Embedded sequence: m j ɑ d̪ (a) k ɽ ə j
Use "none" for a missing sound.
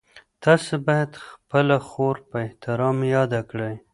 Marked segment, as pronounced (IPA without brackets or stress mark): a